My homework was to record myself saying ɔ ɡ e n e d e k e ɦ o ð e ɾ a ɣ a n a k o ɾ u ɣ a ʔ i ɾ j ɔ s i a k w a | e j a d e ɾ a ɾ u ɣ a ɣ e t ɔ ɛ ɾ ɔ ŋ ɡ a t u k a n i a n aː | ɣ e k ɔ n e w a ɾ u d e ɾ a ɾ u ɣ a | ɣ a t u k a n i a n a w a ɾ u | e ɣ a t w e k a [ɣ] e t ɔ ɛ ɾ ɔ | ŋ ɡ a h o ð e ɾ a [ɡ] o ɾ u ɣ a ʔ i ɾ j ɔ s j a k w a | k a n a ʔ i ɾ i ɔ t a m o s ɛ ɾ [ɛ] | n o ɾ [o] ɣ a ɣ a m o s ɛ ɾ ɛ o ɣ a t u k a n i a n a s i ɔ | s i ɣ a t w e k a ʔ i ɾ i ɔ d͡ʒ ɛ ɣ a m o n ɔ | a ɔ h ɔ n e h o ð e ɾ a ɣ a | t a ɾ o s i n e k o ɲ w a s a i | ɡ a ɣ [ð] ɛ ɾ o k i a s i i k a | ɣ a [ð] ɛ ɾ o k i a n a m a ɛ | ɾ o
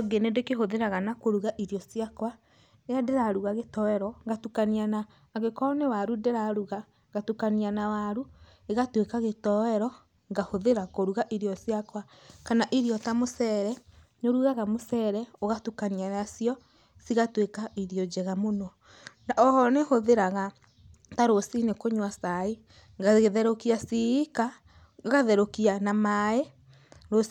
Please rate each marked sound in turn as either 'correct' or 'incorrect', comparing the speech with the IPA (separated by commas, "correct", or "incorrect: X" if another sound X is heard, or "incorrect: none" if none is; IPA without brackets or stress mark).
correct, incorrect: k, correct, incorrect: u, correct, correct